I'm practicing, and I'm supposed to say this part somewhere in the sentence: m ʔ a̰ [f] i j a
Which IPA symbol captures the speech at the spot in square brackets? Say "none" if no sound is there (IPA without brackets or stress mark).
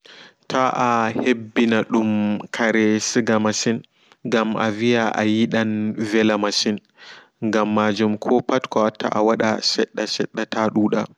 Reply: v